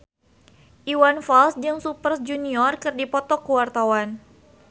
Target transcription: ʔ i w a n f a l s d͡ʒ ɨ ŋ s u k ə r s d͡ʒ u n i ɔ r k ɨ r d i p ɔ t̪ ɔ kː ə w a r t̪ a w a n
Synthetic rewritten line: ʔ i w a n f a l s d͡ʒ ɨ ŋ s u p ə r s d͡ʒ u n i ɔ r k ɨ r d i p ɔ t̪ ɔ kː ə w a r t̪ a w a n